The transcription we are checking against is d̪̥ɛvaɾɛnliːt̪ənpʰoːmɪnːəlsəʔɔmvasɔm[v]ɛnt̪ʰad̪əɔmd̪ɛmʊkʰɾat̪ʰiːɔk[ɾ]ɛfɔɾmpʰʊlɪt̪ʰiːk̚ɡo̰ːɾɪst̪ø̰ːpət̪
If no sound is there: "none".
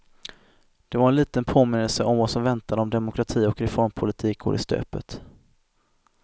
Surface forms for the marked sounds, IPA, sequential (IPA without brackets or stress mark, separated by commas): v, ɾ